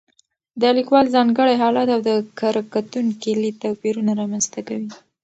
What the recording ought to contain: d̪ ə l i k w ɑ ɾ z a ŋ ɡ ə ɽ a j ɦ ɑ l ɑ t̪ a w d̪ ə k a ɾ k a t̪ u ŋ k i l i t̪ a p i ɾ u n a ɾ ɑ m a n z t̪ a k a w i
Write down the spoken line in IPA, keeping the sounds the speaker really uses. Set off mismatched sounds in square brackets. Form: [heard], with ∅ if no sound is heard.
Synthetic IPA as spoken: d̪ ə l i k w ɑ [l] z [ɑ] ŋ ɡ ə ɽ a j ɦ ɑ l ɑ t̪ a w d̪ ə k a ɾ k a t̪ u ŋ k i l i t̪ a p i ɾ u n a ɾ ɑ m a n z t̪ a k a w i